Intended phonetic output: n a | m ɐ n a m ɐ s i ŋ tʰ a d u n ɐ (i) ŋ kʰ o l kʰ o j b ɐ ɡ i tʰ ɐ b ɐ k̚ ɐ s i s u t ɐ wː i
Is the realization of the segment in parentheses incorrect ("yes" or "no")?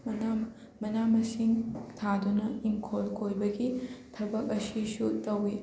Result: no